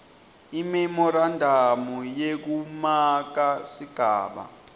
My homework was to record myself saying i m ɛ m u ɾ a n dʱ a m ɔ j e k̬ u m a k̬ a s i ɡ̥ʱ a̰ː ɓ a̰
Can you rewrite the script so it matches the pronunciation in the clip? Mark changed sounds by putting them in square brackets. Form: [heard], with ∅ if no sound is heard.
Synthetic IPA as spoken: i m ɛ m [ɔ] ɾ a n dʱ a m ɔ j e k̬ u m a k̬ a s i ɡ̥ʱ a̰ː ɓ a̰